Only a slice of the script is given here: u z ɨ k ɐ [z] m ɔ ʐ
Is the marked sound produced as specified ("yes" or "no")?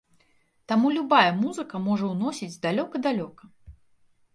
no